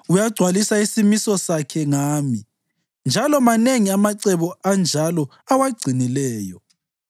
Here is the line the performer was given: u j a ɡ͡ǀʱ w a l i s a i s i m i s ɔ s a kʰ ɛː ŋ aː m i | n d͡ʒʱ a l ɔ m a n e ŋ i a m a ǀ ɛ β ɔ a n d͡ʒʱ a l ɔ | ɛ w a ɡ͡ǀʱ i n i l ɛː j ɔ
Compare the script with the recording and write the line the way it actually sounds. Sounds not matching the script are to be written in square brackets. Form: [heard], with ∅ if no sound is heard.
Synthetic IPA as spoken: u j a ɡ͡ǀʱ w a l i s a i s i m i s ɔ s a kʰ [ɛ] ŋ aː m i | n d͡ʒʱ a l ɔ m a n e ŋ i a m a ǀ ɛ β ɔ a n d͡ʒʱ a l ɔ | [a] w a ɡ͡ǀʱ i n i l ɛː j ɔ

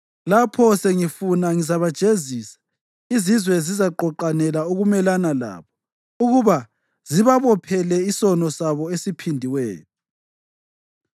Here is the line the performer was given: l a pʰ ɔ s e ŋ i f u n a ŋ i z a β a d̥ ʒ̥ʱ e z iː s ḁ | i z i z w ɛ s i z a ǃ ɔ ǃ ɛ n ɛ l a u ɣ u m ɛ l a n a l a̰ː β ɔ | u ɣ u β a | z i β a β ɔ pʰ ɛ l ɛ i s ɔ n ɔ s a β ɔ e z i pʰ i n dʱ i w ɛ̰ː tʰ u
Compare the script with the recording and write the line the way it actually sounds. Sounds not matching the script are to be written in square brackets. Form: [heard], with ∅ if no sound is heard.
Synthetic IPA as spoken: l a pʰ ɔ s e ŋ i f u n a ŋ i z a β a d̥ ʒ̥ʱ e z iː s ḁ | i z i z w ɛ [z] i z a ǃ ɔ ǃ [a] n ɛ l a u ɣ u m ɛ l a n a l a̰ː β ɔ | u ɣ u β a | z i β a β ɔ pʰ ɛ l ɛ i s ɔ n ɔ s a β ɔ e [s] i pʰ i n dʱ i w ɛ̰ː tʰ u

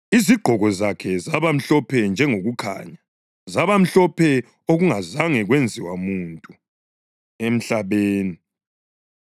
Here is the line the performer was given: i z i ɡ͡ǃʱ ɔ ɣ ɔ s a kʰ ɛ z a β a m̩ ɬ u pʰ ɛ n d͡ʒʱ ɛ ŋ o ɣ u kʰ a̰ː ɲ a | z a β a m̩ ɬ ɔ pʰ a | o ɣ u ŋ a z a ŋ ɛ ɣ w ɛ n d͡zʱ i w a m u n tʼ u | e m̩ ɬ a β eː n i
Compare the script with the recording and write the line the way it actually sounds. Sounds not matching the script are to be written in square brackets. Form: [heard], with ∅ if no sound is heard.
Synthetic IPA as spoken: i z i ɡ͡ǃʱ ɔ ɣ ɔ [z] a kʰ ɛ z a β a m̩ ɬ [ɔ] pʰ ɛ n d͡ʒʱ ɛ ŋ o ɣ u kʰ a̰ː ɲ a | z a β a m̩ ɬ ɔ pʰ [ɛ] | o ɣ u ŋ a z a ŋ ɛ ɣ w [e] n d͡zʱ i w a m u n tʼ u | e m̩ ɬ a β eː n i

